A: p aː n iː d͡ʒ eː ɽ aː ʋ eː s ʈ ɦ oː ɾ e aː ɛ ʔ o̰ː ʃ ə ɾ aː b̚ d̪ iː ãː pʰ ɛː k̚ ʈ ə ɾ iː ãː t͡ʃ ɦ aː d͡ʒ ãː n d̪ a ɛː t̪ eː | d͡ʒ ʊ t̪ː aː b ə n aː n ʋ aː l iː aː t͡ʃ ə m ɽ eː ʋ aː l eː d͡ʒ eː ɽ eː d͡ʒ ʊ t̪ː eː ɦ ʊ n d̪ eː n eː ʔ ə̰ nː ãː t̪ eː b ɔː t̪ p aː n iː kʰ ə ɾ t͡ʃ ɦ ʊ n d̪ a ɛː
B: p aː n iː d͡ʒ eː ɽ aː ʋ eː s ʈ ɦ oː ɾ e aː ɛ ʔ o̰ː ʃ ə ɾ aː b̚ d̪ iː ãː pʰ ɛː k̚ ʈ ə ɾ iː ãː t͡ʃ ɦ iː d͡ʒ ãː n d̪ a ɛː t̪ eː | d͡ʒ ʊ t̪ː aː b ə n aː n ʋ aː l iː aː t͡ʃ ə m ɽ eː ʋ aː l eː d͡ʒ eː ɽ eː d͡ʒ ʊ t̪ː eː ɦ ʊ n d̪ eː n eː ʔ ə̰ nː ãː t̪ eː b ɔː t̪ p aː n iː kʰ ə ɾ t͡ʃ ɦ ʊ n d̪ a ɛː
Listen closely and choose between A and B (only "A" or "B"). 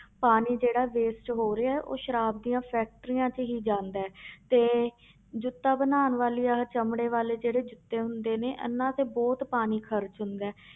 B